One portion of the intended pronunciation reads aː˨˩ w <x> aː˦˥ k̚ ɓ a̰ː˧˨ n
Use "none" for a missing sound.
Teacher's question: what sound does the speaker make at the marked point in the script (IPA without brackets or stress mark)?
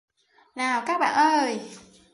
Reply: k